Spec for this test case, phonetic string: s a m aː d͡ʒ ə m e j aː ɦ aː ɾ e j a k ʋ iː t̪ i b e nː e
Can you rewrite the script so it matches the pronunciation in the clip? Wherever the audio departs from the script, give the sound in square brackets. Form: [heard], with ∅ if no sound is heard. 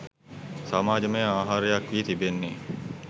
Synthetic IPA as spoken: s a m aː d͡ʒ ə m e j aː ɦ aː ɾ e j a k ʋ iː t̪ i b e nː e